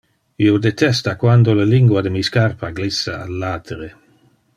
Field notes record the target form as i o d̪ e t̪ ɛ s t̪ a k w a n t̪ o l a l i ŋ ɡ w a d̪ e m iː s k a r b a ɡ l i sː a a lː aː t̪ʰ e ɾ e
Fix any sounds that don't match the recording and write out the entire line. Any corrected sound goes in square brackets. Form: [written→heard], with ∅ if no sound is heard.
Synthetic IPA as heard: i o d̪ e t̪ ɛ s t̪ a k w a n [t̪→d̪] o l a l i ŋ ɡ w a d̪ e m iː s k a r [b→p] a ɡ l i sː a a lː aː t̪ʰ e ɾ e